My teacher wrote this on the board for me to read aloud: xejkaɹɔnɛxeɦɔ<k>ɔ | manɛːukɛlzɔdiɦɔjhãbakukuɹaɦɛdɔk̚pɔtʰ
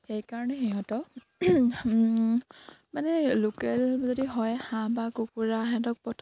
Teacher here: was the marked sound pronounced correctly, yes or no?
no